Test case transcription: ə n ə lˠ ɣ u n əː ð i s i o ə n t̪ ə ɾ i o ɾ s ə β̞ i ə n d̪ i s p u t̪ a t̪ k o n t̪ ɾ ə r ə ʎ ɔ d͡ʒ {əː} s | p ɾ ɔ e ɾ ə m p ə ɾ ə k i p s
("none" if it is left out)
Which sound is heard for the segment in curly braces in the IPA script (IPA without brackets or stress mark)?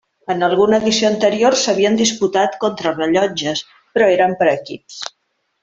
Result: ə